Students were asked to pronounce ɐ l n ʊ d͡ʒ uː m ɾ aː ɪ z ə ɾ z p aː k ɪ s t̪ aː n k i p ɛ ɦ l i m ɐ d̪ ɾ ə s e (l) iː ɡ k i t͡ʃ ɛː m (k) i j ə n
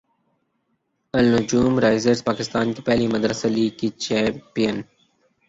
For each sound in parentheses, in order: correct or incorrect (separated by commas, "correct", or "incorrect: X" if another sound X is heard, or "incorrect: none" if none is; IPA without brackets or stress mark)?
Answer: correct, incorrect: p